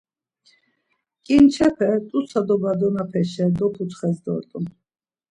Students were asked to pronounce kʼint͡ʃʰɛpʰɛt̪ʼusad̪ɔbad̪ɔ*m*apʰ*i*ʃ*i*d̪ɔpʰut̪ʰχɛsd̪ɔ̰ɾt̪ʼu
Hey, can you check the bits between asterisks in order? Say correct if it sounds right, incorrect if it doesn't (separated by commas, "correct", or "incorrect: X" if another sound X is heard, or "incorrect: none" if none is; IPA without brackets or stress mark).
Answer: incorrect: n, incorrect: ɛ, incorrect: ɛ